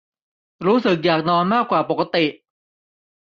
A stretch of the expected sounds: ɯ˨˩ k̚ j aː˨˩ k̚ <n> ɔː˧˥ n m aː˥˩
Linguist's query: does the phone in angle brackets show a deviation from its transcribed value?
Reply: no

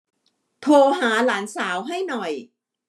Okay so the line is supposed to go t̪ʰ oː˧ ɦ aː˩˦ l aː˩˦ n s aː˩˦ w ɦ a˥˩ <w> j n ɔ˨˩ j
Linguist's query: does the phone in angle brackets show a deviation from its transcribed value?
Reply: yes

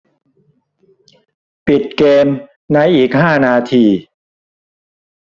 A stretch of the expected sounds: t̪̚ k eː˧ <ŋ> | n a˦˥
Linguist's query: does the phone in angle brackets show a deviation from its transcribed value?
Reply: yes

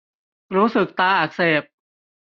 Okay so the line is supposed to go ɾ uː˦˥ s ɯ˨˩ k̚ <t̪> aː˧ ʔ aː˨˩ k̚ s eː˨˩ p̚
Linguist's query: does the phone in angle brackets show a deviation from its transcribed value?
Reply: no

